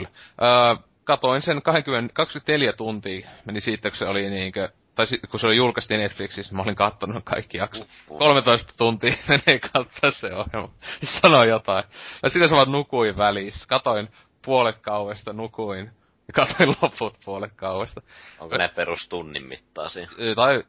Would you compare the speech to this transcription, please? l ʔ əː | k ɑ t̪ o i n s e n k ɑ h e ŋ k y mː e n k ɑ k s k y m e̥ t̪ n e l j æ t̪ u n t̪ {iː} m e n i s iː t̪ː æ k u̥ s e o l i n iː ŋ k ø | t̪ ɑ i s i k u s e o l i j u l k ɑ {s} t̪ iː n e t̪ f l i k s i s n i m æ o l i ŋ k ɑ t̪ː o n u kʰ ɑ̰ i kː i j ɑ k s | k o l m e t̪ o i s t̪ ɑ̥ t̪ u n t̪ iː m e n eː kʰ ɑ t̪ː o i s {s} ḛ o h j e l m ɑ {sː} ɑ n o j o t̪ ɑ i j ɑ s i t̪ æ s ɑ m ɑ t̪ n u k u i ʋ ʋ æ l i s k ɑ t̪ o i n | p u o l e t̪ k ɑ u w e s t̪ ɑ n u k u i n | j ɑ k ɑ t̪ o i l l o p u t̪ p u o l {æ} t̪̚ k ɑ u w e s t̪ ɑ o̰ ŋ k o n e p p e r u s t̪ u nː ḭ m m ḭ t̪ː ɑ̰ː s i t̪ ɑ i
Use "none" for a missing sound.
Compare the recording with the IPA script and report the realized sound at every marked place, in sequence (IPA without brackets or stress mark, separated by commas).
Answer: iː, s, s, s, e